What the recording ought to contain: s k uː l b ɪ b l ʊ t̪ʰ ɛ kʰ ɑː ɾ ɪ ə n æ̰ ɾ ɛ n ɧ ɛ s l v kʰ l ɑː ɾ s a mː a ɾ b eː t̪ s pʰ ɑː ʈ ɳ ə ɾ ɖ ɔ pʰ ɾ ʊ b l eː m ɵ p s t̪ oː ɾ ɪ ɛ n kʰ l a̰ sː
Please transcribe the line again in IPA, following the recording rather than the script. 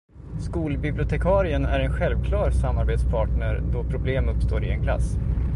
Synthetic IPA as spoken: s k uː l b ɪ b l ʊ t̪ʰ ɛ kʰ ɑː ɾ ɪ ə n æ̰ ɾ ɛ n ɧ ɛ l v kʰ l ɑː ɾ s a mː a ɾ b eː t̪ s pʰ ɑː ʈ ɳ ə ɾ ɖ ɔ pʰ ɾ ʊ b l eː m ɵ p s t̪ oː ɾ ɪ ɛ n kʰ l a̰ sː